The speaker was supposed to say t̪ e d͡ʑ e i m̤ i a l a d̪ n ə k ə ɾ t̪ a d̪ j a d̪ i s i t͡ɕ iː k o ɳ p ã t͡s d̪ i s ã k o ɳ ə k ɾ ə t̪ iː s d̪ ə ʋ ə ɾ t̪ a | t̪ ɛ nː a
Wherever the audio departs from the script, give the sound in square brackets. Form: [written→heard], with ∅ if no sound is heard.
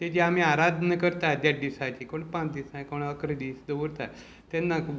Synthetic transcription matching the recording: t̪ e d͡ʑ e [i→a] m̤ i a [l→ɾ] a d̪ n ə k ə ɾ t̪ a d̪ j a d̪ i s [i→a] t͡ɕ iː k o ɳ p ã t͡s d̪ i s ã k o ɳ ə k ɾ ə [t̪→d̪] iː s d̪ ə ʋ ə ɾ t̪ a | t̪ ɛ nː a